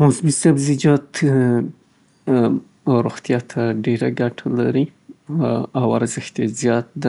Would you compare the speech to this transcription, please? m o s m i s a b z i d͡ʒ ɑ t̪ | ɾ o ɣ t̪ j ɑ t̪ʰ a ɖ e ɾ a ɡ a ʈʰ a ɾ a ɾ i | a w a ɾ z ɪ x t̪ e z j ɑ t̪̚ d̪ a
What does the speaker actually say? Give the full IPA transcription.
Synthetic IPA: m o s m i s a b z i d͡ʒ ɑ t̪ | ɾ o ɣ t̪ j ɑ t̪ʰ a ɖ e ɾ a ɡ a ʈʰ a l a ɾ i | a w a ɾ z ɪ x t̪ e z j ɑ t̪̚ d̪ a